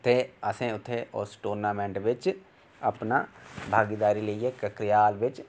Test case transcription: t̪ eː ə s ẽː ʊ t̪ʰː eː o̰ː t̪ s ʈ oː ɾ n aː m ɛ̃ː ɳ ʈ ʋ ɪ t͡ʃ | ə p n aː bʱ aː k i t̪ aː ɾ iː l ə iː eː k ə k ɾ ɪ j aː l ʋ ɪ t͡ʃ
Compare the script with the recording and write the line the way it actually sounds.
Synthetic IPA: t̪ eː ə s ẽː ʊ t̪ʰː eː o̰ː s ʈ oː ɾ n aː m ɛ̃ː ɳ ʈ ʋ ɪ t͡ʃ | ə p n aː bʱ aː ɡ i d̪ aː ɾ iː l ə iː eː k ə k ɾ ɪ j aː l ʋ ɪ t͡ʃ